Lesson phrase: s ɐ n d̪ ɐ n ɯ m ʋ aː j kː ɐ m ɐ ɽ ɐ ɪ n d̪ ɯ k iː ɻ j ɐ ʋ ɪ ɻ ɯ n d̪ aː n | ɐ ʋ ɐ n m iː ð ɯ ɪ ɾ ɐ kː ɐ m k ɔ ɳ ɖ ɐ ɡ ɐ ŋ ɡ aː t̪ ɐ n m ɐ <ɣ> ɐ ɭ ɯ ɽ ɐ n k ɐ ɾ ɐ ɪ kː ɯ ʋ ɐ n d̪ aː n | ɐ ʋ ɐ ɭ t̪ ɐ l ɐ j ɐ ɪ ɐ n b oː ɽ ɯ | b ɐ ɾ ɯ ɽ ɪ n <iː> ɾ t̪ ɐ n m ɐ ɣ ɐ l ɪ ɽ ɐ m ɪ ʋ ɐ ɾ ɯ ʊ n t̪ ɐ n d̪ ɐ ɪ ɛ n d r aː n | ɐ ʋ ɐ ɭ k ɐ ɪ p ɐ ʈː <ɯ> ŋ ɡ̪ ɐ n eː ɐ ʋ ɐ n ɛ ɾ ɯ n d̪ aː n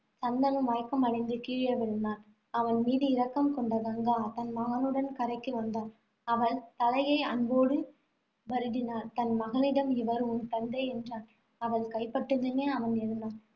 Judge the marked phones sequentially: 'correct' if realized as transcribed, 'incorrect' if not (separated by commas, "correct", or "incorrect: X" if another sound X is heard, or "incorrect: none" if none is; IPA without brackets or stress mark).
correct, incorrect: aː, correct